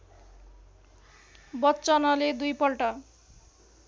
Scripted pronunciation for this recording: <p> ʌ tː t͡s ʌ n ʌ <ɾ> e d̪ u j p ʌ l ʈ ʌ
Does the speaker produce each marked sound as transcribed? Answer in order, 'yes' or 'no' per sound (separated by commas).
no, no